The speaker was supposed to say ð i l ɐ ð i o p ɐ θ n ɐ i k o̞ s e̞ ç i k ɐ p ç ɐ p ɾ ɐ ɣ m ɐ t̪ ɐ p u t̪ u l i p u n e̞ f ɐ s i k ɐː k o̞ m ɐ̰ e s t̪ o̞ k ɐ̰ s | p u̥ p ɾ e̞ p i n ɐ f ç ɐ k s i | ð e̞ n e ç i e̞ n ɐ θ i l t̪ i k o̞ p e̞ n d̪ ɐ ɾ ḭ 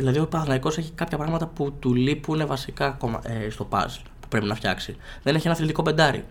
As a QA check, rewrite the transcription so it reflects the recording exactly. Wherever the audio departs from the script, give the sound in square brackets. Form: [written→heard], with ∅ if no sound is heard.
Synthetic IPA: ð i l ɐ ð i o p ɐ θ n ɐ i k o̞ s e̞ ç i k ɐ p ç ɐ p ɾ ɐ ɣ m ɐ t̪ ɐ p u t̪ u l i p u n e̞ [f→v] ɐ s i k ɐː k o̞ m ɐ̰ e s t̪ o̞ [k→p] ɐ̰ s | p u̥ p ɾ e̞ p i n ɐ f ç ɐ k s i | ð e̞ n e ç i e̞ n ɐ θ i l t̪ i k o̞ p e̞ n d̪ ɐ ɾ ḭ